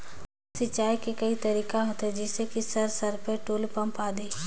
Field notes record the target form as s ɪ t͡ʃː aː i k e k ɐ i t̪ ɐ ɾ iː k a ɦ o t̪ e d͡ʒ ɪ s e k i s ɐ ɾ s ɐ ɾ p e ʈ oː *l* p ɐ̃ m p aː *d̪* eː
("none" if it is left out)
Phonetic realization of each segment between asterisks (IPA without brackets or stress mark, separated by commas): l, d̪